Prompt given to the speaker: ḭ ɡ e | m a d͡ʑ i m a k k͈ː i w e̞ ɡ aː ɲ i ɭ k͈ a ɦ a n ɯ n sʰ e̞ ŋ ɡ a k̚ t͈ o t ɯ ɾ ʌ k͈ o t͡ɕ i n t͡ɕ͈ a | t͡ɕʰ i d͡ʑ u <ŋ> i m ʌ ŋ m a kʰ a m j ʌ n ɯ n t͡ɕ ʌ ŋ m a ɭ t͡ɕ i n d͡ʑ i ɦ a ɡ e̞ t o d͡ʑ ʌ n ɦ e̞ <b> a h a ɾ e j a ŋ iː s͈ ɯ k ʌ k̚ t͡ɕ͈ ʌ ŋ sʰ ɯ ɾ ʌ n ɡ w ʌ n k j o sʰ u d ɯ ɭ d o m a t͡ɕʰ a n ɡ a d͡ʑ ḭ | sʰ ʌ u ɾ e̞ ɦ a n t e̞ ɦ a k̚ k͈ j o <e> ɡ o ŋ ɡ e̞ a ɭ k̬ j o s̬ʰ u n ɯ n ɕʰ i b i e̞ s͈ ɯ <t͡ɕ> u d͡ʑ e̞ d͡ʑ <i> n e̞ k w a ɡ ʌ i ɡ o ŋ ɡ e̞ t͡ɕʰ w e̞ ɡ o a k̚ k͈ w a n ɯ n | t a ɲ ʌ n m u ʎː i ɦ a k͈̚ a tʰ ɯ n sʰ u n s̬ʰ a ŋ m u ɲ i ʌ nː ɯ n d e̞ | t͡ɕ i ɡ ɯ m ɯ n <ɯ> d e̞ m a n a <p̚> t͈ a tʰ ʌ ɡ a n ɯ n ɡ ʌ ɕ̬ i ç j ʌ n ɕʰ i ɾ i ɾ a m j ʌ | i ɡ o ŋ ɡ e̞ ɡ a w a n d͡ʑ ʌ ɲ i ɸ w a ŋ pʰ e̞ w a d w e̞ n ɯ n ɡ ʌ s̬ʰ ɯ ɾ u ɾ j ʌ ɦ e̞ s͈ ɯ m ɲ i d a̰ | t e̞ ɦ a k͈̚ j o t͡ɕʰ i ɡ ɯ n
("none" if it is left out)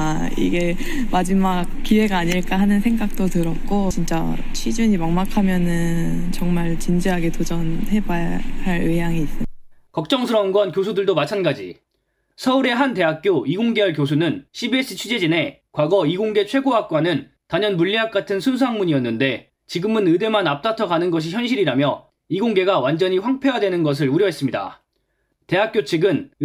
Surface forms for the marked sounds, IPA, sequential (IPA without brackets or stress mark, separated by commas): ɲ, b, i, t͡ɕʰ, i, ɯ, p̚